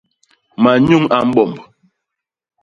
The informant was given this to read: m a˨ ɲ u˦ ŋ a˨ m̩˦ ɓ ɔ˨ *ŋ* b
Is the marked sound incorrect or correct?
incorrect: m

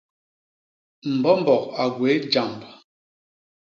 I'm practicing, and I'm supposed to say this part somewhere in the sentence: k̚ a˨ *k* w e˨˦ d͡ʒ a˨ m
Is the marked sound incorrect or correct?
incorrect: ɡ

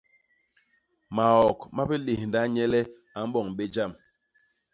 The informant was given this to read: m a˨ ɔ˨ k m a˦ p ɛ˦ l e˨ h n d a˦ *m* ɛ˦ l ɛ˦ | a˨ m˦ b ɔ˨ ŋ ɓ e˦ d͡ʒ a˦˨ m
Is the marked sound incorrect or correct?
incorrect: ɲ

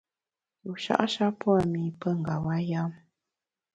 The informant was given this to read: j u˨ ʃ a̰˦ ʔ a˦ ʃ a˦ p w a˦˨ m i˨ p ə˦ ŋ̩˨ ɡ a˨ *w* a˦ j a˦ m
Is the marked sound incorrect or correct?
correct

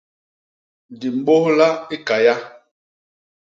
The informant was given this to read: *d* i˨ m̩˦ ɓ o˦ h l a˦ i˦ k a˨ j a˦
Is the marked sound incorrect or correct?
correct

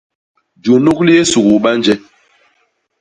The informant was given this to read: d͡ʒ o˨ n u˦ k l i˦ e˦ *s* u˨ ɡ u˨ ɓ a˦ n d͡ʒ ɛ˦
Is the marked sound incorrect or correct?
correct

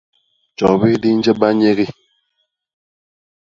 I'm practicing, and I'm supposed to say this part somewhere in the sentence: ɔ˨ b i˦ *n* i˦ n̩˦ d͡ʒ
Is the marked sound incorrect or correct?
incorrect: d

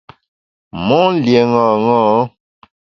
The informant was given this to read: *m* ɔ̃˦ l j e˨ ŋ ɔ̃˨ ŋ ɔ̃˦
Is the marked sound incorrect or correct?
correct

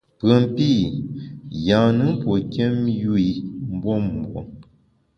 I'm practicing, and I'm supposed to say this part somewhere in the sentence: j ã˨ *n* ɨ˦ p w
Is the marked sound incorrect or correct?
correct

